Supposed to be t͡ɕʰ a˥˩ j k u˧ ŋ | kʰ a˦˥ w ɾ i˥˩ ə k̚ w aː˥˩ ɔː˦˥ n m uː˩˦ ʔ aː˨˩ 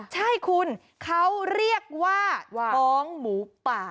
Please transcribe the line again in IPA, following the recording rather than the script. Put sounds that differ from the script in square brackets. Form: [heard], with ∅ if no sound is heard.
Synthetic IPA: t͡ɕʰ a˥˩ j [kʰ] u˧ [n] | kʰ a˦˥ w ɾ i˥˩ ə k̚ w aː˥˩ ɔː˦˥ [ŋ] m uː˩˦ [p] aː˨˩